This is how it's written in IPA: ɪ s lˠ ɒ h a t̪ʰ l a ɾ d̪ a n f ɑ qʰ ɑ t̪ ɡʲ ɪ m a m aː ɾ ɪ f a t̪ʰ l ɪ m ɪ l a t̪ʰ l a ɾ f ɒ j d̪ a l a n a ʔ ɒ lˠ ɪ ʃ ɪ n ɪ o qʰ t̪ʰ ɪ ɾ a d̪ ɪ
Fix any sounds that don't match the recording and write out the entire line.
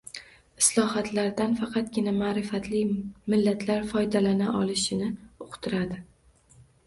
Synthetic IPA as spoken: ɪ s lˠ ɒ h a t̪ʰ l a ɾ d̪ a n f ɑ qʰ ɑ t̪ ɡʲ ɪ n a m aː ɾ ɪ f a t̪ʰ l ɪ m ɪ lː a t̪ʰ l a ɾ f ɒ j d̪ a l a n a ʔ ɒ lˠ ɪ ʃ ɪ n ɪ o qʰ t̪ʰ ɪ ɾ a d̪ ɪ

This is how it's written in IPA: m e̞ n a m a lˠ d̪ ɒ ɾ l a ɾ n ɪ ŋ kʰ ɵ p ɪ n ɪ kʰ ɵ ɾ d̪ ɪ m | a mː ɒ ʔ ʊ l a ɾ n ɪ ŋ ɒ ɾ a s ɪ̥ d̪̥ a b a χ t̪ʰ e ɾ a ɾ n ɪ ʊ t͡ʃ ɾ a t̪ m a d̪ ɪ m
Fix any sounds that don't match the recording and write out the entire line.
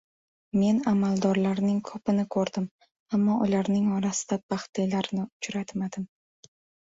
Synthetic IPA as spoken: m e̞ n a m a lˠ d̪ ɒ ɾ l a ɾ n ɪ ŋ kʰ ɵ p ɪ n ɪ kʰ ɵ ɾ d̪ ɪ m | a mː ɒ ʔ ʊ l a ɾ n ɪ ŋ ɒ ɾ a s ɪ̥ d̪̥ a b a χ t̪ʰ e l a ɾ n ɪ ʊ t͡ʃ ɾ a t̪ m a d̪ ɪ m

